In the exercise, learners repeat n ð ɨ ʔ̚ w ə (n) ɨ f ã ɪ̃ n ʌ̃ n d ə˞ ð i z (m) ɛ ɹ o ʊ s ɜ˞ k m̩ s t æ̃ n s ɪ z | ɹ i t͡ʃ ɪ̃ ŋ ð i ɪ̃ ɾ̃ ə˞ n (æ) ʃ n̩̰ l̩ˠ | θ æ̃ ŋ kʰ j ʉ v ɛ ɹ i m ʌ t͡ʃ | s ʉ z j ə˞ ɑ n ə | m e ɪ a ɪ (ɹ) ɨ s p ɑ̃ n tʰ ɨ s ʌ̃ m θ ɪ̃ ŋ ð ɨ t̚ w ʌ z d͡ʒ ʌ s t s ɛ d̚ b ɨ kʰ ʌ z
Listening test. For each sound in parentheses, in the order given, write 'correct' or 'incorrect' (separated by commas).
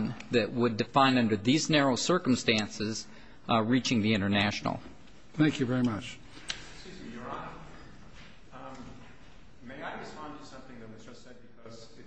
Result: incorrect, incorrect, correct, correct